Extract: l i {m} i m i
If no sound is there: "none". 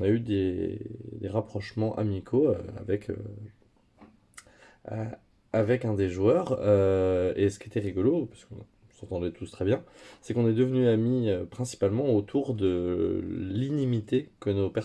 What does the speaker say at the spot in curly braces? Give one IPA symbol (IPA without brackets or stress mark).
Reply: n